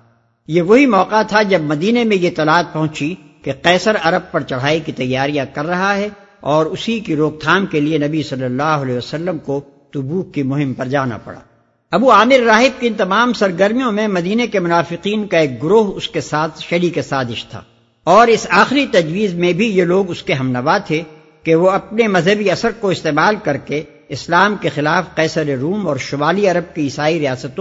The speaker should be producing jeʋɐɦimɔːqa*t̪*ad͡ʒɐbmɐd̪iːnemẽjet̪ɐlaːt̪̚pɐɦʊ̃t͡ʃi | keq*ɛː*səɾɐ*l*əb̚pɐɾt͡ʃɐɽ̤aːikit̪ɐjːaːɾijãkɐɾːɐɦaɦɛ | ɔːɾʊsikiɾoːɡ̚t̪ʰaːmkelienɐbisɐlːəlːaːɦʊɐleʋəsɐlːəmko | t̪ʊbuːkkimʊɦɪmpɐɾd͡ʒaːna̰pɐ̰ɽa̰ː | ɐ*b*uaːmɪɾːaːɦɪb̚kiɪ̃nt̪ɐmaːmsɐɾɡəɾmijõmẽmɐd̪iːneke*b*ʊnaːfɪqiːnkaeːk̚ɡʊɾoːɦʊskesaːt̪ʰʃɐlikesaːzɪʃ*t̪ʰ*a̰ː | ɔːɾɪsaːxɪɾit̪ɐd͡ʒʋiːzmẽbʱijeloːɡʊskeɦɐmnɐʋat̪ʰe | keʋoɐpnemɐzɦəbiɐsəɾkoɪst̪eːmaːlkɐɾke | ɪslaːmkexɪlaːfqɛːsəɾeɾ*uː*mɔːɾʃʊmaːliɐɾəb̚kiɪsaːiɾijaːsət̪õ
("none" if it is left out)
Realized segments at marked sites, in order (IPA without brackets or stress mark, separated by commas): t̪ʰ, ɛː, ɾ, b, m, t̪ʰ, uː